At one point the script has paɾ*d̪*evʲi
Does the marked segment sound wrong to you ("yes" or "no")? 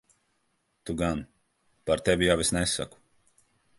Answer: yes